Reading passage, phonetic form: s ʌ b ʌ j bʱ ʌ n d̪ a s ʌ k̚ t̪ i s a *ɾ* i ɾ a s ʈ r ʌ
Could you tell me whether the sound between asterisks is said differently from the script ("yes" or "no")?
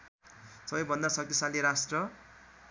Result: yes